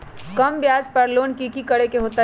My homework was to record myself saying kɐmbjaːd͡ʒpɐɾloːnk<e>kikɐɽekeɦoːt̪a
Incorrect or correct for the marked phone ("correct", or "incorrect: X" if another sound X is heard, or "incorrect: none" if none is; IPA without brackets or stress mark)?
incorrect: i